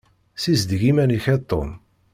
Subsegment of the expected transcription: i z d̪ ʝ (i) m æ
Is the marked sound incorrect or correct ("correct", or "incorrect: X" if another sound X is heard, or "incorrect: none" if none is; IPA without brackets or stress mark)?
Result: correct